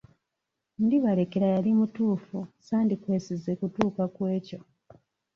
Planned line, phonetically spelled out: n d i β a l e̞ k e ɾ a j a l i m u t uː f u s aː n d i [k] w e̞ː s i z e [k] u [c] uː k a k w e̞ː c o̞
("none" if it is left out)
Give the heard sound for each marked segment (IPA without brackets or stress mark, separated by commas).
k, k, t